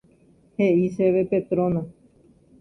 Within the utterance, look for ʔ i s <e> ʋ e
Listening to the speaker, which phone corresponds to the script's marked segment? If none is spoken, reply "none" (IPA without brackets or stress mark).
e